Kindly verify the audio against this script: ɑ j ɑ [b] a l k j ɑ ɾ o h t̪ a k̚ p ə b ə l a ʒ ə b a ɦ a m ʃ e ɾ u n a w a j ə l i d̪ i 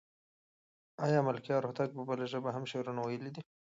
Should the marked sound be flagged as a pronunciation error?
yes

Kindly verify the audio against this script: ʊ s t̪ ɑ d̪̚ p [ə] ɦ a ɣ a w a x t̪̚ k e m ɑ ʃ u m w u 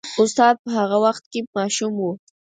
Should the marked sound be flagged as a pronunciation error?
no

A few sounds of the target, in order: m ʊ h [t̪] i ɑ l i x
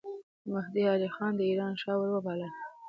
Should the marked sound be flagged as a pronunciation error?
yes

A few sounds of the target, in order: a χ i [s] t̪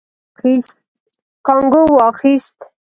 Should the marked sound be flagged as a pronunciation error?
no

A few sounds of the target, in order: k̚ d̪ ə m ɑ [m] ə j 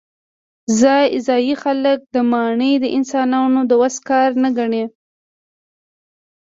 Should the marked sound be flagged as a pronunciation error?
yes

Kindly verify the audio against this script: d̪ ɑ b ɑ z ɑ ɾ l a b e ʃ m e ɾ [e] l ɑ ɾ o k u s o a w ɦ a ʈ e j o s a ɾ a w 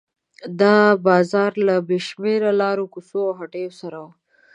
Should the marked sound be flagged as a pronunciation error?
yes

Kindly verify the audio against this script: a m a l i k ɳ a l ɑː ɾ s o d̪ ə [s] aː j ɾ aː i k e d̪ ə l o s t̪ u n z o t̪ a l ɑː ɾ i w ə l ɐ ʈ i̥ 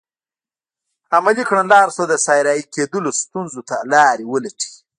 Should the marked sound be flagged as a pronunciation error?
no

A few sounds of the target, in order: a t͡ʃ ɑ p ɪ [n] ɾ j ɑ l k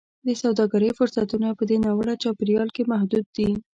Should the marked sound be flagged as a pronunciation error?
yes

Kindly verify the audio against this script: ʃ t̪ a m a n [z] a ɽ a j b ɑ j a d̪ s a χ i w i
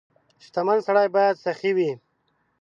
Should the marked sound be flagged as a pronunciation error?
yes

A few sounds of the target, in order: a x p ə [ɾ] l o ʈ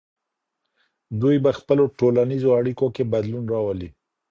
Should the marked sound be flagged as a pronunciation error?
yes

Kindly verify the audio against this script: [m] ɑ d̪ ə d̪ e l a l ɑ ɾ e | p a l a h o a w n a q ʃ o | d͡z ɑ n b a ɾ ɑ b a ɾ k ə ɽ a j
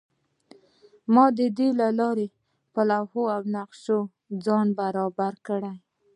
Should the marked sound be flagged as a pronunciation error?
no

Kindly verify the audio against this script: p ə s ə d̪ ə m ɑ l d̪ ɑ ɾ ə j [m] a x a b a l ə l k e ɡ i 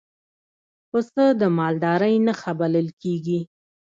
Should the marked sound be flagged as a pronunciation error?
yes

